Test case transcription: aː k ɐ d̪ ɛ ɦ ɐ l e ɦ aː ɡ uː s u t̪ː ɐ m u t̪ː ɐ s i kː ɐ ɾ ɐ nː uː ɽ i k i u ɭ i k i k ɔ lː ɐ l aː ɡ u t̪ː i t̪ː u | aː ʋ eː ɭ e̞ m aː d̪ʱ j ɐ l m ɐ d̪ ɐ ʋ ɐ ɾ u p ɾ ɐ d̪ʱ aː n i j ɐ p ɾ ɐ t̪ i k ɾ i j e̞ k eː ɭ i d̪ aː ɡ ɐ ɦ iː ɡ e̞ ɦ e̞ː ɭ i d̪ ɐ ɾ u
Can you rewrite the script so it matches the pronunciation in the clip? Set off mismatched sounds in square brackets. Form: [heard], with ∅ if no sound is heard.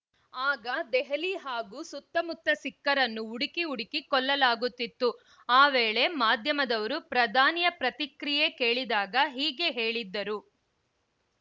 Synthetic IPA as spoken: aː [ɡ] ɐ d̪ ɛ ɦ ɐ l [i] ɦ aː ɡ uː s u t̪ː ɐ m u t̪ː ɐ s i kː ɐ ɾ ɐ nː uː ɽ i k i u [ɽ] i k i k ɔ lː ɐ l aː ɡ u t̪ː i t̪ː u | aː ʋ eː ɭ e̞ m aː d̪ʱ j ɐ [∅] m ɐ d̪ ɐ ʋ ɐ ɾ u p ɾ ɐ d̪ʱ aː n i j ɐ p ɾ ɐ t̪ i k ɾ i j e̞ k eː ɭ i d̪ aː ɡ ɐ ɦ iː ɡ e̞ ɦ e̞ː ɭ i [d̪ː] ɐ ɾ u